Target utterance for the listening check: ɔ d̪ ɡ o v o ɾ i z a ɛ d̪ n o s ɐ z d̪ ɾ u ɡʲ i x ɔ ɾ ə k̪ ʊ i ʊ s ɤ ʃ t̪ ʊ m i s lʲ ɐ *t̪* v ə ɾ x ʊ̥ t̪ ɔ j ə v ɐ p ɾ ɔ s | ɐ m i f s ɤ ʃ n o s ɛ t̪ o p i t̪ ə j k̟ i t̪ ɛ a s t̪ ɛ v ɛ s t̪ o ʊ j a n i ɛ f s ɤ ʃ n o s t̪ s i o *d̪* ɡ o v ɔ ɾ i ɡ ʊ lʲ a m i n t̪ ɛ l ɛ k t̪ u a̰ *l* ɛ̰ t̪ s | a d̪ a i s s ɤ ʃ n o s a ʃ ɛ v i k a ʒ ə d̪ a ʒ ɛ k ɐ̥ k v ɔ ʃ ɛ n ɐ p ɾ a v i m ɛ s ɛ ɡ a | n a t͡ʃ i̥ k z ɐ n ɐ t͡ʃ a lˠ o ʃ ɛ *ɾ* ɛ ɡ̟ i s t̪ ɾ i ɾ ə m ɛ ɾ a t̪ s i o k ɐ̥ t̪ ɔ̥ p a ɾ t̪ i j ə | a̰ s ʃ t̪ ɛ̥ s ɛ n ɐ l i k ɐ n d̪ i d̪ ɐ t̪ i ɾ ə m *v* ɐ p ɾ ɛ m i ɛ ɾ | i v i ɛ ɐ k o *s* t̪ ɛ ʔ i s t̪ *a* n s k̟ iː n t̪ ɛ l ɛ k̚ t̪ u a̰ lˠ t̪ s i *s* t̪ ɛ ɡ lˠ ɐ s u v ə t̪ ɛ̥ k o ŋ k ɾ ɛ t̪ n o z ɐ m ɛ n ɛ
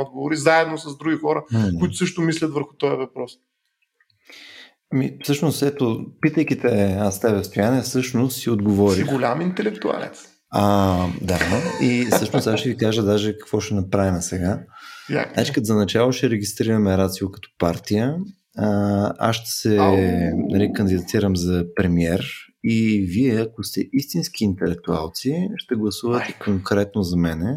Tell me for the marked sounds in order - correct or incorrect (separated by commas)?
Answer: correct, correct, correct, correct, incorrect, correct, incorrect, incorrect